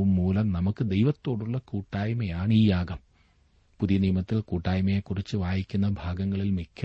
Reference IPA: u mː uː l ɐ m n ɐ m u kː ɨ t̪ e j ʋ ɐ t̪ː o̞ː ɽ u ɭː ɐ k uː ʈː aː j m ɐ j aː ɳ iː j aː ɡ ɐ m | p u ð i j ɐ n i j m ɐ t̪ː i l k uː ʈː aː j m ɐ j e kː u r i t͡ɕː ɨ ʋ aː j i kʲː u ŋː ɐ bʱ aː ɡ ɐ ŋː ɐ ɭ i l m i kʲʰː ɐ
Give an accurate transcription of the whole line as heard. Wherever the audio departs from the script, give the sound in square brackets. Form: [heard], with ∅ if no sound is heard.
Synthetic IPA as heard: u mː uː l ɐ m n ɐ m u kː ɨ [d̪] e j ʋ ɐ t̪ː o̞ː ɽ u ɭː ɐ k uː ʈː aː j m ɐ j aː ɳ iː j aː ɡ ɐ m | p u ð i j ɐ n i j m ɐ t̪ː i l k uː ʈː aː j m ɐ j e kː u r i t͡ɕː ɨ ʋ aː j i kʲː u [nː] ɐ bʱ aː ɡ ɐ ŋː ɐ ɭ i l m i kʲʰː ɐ